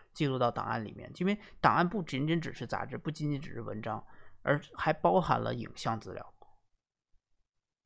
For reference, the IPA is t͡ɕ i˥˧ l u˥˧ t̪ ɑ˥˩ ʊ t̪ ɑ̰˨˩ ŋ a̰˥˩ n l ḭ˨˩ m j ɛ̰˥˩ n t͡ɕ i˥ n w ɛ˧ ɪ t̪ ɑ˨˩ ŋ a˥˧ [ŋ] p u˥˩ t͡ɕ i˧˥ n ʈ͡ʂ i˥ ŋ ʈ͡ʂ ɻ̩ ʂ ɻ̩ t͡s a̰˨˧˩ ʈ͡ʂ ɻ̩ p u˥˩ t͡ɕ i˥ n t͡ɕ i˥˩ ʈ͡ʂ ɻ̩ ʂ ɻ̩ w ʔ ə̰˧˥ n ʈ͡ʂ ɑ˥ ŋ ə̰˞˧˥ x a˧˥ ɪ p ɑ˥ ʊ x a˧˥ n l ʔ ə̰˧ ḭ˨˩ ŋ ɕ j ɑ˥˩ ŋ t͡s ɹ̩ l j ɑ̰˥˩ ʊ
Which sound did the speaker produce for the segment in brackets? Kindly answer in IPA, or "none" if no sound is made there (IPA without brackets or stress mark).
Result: n